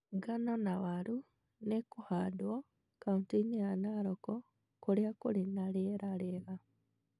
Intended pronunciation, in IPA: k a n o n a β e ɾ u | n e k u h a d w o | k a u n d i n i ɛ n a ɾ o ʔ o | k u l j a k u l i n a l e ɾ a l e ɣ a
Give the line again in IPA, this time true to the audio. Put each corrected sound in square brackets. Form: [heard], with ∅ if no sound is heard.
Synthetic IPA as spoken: [ɡ] a n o n a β [a] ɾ u | n e k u h a d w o | k a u n [t] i n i [a] n a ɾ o [k] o | k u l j a k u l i n a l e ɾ a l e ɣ a